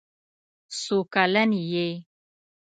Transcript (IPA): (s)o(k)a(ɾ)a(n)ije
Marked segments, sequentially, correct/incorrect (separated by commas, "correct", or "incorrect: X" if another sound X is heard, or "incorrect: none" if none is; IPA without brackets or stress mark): correct, correct, incorrect: l, correct